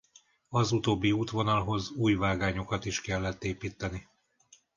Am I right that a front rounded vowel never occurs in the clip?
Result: yes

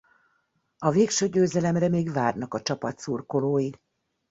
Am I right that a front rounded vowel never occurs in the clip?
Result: no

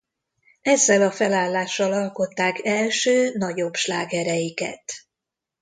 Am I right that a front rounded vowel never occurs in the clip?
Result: no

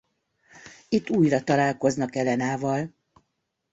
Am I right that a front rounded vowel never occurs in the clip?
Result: yes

